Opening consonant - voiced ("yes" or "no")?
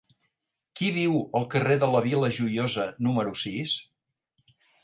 no